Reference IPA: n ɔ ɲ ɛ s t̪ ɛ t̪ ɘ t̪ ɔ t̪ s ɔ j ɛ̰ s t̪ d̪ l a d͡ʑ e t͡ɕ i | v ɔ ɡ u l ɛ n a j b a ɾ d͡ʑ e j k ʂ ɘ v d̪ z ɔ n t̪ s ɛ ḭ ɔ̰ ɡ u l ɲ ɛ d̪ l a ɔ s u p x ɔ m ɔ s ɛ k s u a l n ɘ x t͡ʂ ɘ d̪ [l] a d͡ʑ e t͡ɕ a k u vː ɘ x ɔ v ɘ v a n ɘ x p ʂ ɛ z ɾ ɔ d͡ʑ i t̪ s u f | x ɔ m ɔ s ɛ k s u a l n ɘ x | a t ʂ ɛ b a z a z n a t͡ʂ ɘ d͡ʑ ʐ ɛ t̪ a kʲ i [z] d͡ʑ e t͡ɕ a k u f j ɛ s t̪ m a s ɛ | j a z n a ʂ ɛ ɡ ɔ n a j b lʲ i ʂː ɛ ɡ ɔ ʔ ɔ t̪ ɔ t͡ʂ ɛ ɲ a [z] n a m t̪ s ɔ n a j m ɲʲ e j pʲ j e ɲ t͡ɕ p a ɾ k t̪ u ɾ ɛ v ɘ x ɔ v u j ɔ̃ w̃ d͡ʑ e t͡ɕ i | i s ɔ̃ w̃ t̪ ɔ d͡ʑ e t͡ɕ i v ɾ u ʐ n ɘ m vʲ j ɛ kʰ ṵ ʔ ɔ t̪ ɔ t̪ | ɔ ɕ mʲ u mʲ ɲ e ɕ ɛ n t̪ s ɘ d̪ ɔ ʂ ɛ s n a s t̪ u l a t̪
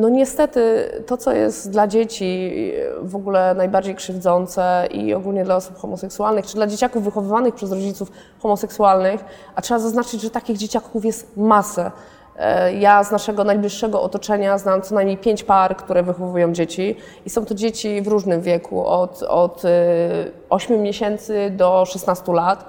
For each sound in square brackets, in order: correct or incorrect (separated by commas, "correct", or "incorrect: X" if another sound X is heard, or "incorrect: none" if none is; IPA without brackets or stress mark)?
correct, incorrect: ɣ, correct